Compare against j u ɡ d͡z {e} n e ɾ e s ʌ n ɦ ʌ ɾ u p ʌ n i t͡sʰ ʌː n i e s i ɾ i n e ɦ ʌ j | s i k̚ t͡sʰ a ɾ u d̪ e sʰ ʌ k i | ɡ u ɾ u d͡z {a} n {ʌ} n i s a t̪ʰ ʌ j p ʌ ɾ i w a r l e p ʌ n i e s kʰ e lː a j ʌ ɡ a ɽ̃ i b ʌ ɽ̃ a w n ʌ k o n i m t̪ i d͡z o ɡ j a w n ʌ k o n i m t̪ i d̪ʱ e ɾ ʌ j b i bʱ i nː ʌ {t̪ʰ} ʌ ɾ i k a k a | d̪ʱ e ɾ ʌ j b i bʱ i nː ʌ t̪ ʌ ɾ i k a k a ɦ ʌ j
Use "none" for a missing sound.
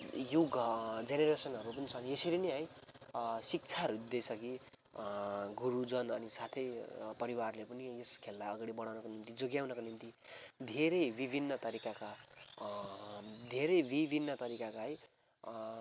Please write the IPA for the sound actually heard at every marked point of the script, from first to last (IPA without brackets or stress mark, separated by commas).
e, ʌ, ʌ, t̪